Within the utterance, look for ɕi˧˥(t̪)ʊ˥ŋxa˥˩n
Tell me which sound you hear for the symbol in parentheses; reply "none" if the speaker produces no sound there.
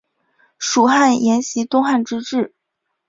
t̪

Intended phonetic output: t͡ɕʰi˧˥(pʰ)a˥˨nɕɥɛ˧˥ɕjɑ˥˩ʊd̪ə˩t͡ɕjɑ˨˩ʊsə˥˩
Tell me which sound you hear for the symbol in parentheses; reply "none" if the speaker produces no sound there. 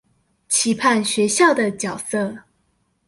pʰ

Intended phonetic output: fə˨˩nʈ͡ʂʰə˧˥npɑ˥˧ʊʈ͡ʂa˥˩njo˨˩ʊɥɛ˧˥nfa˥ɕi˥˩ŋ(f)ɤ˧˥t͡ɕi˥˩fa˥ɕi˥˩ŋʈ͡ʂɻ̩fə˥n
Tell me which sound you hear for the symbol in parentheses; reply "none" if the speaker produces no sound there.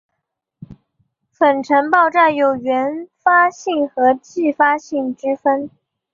x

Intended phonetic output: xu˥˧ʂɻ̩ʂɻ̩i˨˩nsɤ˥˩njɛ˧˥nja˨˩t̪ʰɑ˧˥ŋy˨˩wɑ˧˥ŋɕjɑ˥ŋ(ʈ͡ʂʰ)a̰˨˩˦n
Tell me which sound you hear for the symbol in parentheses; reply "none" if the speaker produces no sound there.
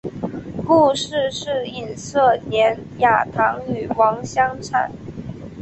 ʈ͡ʂʰ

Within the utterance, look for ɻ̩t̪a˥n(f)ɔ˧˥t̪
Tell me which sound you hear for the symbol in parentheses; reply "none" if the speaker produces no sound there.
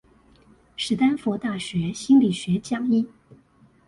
f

